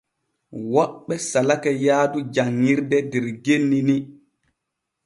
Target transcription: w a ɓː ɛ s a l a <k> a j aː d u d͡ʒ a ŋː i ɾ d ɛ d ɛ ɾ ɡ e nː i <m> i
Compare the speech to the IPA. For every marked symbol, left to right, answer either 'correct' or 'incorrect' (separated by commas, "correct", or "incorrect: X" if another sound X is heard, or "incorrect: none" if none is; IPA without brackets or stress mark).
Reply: correct, incorrect: n